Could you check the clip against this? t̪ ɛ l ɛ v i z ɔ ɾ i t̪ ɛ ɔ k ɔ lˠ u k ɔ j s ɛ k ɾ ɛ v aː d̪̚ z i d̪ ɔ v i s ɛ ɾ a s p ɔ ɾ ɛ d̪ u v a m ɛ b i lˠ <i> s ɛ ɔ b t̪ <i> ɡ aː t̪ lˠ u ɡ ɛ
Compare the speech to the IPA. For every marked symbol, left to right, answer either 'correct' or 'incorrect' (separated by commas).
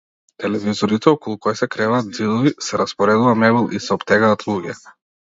correct, incorrect